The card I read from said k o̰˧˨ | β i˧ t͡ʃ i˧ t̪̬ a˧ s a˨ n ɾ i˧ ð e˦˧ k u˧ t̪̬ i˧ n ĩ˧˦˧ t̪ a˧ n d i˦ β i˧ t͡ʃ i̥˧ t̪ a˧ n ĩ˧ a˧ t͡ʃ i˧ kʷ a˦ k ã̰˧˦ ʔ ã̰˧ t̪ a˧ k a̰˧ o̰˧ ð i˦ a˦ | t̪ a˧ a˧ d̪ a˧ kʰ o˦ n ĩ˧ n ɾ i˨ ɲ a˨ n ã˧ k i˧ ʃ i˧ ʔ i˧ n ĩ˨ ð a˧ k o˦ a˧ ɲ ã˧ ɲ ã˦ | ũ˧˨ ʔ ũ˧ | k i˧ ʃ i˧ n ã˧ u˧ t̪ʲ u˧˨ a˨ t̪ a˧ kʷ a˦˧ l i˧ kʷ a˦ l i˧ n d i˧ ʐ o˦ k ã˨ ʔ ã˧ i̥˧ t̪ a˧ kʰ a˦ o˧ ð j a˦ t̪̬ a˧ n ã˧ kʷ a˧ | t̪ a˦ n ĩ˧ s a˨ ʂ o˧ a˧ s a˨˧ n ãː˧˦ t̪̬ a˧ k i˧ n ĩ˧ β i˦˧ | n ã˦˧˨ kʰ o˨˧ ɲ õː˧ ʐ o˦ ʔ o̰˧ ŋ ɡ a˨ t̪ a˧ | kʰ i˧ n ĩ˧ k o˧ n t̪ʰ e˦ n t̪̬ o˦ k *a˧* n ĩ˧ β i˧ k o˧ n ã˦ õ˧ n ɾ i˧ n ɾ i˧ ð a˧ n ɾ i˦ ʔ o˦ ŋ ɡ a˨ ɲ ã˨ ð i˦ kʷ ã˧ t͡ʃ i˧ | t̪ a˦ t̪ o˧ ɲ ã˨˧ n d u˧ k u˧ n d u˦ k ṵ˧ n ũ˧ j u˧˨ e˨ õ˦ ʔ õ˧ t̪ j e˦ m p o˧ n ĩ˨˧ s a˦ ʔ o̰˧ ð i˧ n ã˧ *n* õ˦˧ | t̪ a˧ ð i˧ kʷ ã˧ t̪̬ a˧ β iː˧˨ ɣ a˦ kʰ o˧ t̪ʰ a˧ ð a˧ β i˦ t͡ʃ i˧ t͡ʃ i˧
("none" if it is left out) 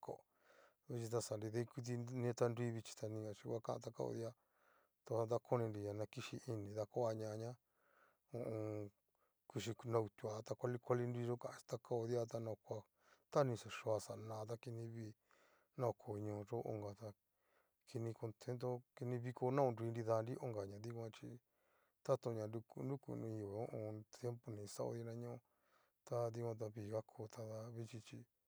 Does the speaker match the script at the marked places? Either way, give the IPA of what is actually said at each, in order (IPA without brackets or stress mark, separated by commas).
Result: i˧, ɲ